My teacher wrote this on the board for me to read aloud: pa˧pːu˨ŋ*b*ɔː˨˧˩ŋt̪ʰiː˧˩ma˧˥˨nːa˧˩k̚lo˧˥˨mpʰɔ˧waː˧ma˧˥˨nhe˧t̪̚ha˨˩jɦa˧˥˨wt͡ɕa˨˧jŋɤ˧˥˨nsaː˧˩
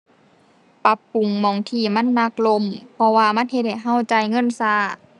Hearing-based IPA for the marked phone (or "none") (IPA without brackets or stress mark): m